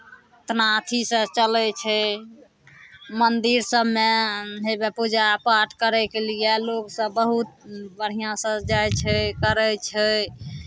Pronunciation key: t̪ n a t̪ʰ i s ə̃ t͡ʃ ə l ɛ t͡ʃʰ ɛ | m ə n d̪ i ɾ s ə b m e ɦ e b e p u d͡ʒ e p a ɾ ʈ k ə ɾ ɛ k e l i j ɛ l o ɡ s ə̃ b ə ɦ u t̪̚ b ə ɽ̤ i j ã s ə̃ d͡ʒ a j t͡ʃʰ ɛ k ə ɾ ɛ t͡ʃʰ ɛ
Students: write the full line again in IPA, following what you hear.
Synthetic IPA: t̪ n a t̪ʰ i s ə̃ t͡ʃ ə l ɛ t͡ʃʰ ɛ | m ə n d̪ i ɾ s ə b m e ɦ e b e p u d͡ʒ a p a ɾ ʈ k ə ɾ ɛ k e l i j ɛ l o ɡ s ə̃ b ə ɦ u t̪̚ b ə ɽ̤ i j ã s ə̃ d͡ʒ a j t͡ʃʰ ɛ k ə ɾ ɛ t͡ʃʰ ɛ